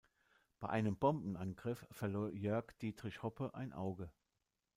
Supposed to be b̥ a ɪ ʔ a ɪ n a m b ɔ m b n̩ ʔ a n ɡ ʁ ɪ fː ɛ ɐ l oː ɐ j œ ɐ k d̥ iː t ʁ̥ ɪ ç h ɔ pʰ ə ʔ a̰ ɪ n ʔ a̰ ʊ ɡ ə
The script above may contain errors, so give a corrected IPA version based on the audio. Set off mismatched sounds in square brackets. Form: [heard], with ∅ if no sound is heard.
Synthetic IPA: b̥ a ɪ ʔ a ɪ n [ə] m b ɔ m b n̩ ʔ a n ɡ ʁ ɪ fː ɛ ɐ l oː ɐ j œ ɐ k d̥ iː t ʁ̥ ɪ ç h ɔ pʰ ə ʔ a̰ ɪ n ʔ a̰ ʊ ɡ ə